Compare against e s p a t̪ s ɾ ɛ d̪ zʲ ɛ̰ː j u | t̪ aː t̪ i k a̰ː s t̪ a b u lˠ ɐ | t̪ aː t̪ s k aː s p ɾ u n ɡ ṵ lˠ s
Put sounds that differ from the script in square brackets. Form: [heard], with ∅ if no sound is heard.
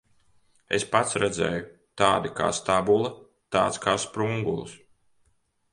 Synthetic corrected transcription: e s p a t̪ s ɾ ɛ d̪ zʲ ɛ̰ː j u | t̪ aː [d̪] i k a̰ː s t̪ a b u lˠ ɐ | t̪ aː t̪ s k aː s p ɾ u [ŋ] ɡ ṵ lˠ s